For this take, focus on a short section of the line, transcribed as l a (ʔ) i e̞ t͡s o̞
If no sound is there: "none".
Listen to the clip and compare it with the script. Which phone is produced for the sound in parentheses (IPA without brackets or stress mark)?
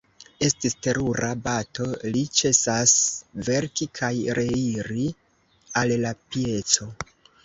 p